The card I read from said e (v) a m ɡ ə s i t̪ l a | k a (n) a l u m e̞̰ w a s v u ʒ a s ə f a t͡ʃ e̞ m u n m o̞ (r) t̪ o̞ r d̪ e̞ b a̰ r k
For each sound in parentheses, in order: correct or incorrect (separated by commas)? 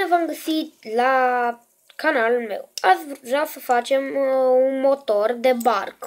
correct, correct, incorrect